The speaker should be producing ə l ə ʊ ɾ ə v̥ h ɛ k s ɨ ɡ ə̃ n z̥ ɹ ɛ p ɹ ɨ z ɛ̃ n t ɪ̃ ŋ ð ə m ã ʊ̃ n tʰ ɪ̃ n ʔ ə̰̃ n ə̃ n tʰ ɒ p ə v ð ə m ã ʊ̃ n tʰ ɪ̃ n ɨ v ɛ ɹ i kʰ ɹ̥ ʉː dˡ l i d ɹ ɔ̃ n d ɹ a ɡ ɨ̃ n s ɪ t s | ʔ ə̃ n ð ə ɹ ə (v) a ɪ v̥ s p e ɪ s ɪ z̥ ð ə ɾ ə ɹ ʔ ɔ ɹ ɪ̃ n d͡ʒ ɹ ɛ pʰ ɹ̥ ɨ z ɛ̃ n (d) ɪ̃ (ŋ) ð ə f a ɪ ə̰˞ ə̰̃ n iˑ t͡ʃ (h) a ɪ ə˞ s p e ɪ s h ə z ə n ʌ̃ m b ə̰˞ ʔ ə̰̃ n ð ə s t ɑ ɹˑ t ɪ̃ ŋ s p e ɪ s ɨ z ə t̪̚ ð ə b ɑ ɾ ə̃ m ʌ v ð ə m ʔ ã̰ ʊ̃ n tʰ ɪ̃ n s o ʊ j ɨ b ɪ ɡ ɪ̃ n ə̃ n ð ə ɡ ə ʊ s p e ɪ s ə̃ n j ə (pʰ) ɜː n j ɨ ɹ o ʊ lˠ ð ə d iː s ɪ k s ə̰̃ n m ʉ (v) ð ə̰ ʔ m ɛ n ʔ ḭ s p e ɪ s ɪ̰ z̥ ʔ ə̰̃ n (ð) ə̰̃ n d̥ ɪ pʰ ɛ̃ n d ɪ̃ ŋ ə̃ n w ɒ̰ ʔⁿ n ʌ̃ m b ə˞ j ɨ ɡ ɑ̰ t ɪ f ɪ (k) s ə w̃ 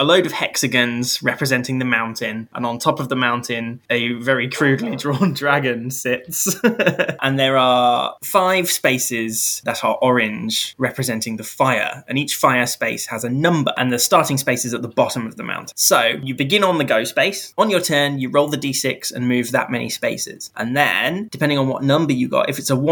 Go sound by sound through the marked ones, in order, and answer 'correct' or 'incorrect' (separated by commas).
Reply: incorrect, incorrect, correct, incorrect, incorrect, correct, correct, incorrect